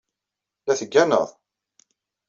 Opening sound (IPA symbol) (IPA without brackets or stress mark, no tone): l